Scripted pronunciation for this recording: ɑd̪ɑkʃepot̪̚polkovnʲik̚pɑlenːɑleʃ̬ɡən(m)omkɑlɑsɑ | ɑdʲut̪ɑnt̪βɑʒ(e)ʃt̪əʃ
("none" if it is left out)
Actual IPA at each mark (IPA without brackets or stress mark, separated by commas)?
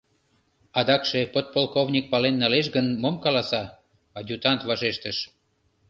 m, e